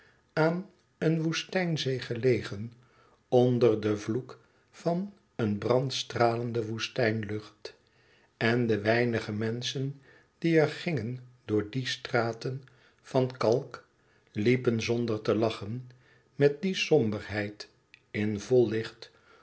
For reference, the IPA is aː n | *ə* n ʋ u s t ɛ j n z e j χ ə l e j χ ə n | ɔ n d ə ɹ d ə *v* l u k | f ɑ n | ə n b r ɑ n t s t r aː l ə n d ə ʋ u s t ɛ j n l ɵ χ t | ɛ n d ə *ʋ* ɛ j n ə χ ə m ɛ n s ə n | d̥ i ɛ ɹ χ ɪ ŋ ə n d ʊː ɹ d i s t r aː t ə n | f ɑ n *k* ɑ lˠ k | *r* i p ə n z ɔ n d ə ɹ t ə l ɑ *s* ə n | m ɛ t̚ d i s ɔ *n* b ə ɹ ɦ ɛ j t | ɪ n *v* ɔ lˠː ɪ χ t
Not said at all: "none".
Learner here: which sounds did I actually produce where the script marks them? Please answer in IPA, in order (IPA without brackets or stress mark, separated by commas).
ə, v, ʋ, k, l, χ, m, v